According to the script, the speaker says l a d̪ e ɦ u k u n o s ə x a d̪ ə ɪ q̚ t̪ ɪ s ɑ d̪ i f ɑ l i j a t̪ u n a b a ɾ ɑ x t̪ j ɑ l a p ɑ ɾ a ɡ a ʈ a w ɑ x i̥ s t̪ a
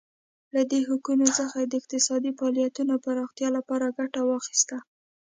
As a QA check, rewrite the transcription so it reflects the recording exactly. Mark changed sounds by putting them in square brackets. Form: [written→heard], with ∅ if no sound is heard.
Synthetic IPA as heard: l a d̪ e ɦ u k u n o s ə x a d̪ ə ɪ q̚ t̪ ɪ s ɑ d̪ i f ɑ l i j a t̪ u n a [b→p] a ɾ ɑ x t̪ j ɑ l a p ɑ ɾ a ɡ a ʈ a w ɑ x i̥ s t̪ a